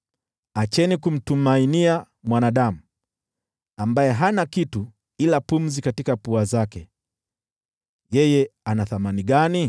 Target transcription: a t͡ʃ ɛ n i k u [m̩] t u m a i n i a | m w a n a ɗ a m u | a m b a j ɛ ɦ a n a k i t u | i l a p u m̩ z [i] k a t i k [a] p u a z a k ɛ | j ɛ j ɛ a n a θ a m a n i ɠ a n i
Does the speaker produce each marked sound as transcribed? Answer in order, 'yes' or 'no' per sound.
yes, yes, yes

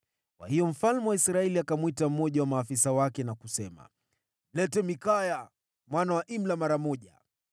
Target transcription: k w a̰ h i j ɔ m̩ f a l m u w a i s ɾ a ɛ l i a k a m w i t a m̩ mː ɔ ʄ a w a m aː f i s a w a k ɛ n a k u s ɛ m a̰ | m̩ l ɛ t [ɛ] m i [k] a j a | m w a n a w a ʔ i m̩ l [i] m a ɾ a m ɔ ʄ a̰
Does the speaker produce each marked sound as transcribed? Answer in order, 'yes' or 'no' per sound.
yes, yes, no

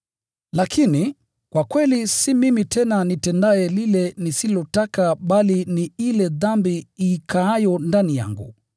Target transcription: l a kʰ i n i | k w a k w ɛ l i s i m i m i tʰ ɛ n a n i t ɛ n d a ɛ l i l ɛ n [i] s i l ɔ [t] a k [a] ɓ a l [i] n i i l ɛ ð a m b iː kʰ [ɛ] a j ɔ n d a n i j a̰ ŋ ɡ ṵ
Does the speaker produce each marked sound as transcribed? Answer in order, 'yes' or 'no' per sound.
yes, yes, yes, yes, no

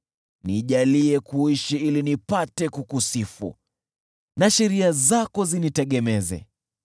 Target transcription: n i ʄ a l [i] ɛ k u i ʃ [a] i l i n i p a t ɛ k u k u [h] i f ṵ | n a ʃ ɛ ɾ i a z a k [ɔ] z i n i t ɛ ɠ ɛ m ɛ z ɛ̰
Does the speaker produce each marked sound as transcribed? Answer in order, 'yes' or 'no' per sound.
yes, no, no, yes

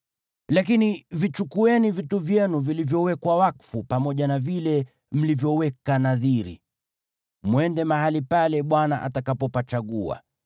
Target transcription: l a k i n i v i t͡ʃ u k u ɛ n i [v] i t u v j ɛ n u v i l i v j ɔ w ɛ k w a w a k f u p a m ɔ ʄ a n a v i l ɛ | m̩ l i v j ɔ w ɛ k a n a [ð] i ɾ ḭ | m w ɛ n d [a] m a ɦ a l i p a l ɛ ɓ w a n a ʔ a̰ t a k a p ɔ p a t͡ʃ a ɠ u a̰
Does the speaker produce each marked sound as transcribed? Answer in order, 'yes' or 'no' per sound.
yes, yes, no

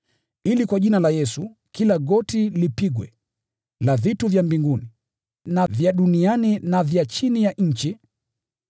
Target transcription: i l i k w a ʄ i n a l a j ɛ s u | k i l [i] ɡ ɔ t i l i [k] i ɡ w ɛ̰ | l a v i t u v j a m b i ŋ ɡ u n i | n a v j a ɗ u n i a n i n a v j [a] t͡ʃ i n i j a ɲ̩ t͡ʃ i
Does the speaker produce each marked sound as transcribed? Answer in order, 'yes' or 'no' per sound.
no, no, yes

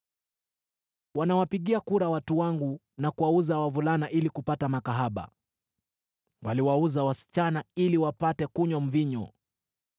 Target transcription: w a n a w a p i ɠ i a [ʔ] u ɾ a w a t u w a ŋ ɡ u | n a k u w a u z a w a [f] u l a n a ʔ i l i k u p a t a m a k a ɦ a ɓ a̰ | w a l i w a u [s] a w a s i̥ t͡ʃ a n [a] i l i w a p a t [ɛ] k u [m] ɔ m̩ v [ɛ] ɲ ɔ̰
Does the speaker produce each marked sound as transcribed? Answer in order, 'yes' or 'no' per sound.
no, no, no, yes, yes, no, no

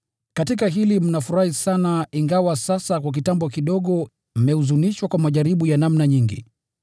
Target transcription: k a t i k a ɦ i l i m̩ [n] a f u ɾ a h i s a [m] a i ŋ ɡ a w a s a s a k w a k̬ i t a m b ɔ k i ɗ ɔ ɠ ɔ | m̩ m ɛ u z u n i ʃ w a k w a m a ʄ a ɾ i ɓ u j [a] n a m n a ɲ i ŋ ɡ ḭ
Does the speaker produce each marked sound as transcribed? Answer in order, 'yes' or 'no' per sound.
yes, no, yes

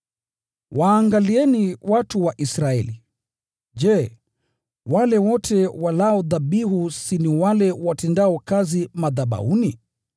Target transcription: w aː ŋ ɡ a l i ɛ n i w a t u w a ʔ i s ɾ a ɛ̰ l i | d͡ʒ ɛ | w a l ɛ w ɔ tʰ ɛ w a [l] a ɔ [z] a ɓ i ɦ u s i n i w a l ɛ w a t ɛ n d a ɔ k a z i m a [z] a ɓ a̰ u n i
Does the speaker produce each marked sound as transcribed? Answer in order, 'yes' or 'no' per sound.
yes, no, no

